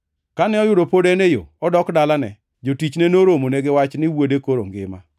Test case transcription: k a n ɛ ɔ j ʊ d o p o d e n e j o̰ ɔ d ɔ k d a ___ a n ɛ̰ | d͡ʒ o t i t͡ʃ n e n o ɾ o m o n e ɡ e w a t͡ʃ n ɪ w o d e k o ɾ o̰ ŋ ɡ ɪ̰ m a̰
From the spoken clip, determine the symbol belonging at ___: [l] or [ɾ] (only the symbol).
l